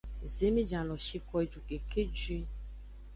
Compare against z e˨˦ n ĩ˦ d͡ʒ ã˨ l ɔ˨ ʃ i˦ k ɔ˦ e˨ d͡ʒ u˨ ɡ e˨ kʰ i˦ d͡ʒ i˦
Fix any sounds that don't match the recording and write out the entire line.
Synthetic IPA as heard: z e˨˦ m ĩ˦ d͡ʒ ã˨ l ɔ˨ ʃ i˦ k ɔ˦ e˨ d͡ʒ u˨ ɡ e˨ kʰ e˦ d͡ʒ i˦